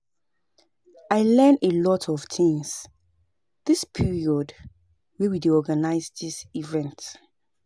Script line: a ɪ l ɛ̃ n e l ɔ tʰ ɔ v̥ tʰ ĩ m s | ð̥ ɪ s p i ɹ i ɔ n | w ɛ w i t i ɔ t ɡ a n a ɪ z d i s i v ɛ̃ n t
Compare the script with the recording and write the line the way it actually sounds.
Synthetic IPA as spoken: a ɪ l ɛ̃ n e l ɔ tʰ ɔ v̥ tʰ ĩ ŋ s | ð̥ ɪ s pʰ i ɹ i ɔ d | w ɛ w i d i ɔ ɡ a n a ɪ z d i s i v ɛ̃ n t